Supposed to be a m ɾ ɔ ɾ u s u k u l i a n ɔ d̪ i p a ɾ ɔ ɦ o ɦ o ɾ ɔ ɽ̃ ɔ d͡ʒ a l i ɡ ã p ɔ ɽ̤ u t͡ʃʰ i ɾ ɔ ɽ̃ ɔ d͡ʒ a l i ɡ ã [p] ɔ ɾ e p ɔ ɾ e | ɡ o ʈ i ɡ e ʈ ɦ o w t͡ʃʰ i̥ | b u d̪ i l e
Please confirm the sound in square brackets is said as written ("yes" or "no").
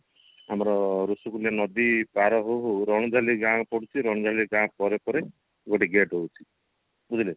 yes